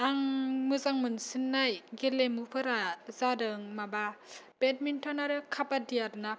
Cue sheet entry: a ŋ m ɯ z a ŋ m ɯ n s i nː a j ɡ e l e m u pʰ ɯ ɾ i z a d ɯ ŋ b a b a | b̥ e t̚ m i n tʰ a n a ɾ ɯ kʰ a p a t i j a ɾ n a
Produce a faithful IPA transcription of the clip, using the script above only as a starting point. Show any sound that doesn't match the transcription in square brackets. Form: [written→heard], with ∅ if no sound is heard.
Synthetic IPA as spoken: a ŋ m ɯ z a ŋ m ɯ n s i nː a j ɡ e l e m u pʰ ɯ ɾ [i→a] z a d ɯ ŋ [b→m] a b a | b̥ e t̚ m i n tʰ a n a ɾ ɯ kʰ a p a [t→d] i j a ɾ n a